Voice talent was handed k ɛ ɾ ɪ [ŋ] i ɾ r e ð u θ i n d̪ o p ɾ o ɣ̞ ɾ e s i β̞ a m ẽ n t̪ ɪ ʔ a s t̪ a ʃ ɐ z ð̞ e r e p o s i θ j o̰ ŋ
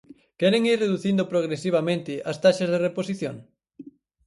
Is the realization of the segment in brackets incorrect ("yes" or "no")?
no